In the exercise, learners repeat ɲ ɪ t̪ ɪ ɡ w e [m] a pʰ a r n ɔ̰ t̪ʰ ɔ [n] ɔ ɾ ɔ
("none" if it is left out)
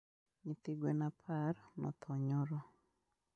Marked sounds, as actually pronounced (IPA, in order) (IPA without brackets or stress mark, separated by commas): n, ɲ